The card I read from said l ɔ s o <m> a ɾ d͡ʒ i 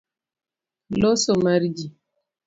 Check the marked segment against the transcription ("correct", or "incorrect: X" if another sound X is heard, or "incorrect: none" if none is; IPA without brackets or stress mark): correct